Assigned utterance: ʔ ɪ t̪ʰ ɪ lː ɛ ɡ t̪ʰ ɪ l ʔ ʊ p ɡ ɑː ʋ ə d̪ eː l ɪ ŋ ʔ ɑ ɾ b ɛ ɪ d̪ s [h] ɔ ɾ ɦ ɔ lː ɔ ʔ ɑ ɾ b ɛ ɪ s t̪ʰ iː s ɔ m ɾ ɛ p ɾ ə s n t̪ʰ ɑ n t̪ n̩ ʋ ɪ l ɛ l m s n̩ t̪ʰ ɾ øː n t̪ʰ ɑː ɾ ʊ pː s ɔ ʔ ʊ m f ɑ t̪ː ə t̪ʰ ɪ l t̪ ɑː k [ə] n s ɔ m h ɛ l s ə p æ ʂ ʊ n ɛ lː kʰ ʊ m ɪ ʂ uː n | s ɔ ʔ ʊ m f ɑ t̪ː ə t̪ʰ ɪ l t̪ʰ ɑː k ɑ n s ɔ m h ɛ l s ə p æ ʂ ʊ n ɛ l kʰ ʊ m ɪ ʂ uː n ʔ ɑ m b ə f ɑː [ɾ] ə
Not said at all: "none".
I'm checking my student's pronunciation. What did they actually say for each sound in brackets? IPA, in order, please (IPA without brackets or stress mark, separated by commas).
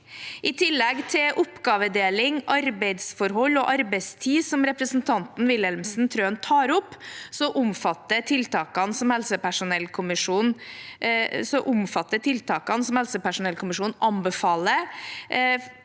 f, ɑ, l